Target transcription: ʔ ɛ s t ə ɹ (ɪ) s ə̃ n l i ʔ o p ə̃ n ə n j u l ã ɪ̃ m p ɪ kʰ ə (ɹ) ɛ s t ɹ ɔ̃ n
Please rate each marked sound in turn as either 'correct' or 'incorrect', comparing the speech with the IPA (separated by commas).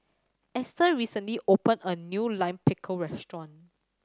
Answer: incorrect, correct